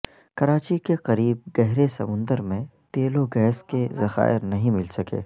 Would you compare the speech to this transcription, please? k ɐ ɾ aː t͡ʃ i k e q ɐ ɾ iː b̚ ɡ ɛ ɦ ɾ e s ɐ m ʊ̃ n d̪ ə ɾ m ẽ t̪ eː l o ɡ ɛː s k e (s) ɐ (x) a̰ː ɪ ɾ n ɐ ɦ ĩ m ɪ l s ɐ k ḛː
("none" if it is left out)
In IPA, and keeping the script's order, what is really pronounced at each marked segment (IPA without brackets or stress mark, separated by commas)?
z, x